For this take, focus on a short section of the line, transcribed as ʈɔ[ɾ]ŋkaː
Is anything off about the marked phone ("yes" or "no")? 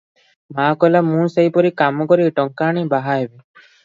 yes